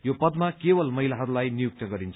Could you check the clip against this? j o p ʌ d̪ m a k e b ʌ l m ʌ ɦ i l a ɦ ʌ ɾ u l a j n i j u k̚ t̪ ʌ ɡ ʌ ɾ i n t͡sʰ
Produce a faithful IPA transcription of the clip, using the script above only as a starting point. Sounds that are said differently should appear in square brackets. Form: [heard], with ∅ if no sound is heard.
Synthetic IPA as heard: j o p ʌ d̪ m a k e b ʌ l m ʌ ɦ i l a ɦ ʌ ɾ u l a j n i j u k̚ t̪ ʌ ɡ ʌ ɾ i n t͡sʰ